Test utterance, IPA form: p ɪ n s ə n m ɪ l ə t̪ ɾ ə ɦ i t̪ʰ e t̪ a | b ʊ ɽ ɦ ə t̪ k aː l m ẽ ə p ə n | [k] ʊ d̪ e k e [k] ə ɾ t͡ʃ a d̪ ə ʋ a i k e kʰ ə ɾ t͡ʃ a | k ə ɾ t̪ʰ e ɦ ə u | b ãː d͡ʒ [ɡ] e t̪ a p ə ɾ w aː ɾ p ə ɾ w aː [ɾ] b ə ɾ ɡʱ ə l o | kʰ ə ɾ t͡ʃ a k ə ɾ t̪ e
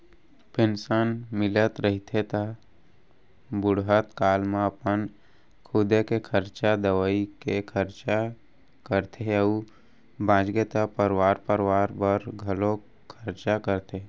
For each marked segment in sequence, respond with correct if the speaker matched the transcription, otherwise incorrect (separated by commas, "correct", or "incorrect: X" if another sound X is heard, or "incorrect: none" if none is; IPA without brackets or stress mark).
incorrect: kʰ, incorrect: kʰ, correct, correct